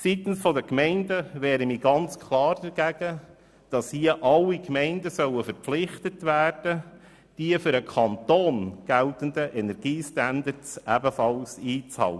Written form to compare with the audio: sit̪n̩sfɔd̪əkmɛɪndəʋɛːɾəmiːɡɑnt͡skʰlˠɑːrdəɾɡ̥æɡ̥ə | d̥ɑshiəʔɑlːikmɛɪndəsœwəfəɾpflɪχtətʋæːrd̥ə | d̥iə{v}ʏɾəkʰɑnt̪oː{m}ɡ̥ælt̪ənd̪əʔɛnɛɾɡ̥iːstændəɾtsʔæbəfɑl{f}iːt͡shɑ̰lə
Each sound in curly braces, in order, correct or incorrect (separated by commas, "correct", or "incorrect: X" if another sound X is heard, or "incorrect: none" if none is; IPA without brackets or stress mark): incorrect: f, incorrect: n, incorrect: s